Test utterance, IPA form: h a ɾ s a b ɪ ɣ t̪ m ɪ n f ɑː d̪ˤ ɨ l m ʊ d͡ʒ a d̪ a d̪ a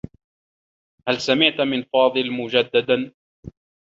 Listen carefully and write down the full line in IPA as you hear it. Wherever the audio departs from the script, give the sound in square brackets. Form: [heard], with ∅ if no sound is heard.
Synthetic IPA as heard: h a [l] s a [m] ɪ [ʕ] t̪ m ɪ n f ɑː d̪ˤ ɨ l m ʊ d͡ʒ a [d̪ː] a d̪ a

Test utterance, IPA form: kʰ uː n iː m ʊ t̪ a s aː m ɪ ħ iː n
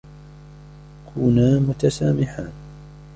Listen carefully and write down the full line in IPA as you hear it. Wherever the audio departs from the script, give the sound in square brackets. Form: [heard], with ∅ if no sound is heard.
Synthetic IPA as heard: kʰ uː n [aː] m ʊ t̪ a s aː m ɪ ħ [aː] n

